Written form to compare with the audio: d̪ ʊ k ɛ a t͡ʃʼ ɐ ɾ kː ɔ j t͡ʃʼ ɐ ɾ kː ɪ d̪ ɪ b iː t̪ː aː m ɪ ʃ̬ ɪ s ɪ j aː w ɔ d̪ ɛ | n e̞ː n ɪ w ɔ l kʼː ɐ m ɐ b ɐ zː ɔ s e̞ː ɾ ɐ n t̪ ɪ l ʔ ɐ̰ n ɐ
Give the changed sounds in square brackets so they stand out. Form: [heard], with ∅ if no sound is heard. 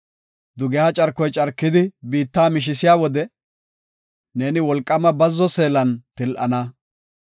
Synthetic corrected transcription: d̪ ʊ [ɡ] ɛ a t͡ʃʼ ɐ ɾ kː ɔ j t͡ʃʼ ɐ ɾ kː ɪ d̪ ɪ b iː t̪ː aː m ɪ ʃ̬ ɪ s ɪ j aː w ɔ d̪ ɛ | n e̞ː n ɪ w ɔ l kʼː ɐ m ɐ b ɐ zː ɔ s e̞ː [l] ɐ n t̪ ɪ l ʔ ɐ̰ n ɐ